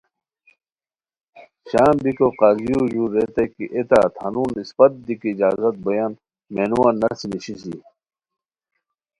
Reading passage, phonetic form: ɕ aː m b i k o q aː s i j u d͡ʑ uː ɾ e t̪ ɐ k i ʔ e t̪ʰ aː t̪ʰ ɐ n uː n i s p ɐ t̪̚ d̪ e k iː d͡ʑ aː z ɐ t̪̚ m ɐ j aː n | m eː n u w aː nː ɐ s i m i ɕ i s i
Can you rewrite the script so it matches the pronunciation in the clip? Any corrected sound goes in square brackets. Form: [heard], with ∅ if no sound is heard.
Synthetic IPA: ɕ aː m b i k o q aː [z] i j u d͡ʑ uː ɾ e t̪ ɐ k i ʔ e [t̪] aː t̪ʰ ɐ n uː n i s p ɐ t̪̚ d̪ [i] k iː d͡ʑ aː z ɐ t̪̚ [b] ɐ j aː n | m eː n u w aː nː ɐ s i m i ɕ i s i